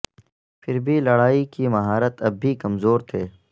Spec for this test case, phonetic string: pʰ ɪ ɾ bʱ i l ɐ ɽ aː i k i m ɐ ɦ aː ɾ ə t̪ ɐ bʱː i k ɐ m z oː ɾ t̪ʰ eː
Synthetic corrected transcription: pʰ ɪ ɾ bʱ i l ɐ ɽ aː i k i m ɐ ɦ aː ɾ ə t̪ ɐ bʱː i k ɐ m z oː ɾ t̪ʰ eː